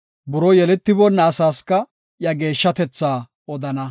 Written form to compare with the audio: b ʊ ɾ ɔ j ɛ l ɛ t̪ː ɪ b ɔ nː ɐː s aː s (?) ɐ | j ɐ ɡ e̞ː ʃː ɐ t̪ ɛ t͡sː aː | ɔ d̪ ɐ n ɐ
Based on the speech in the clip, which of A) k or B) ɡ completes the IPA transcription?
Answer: A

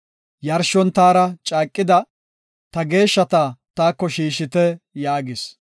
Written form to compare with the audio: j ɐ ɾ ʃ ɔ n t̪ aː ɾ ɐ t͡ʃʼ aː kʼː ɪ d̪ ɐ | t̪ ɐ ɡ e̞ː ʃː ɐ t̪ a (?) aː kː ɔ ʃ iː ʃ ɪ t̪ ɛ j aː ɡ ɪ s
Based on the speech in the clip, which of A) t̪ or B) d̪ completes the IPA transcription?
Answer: A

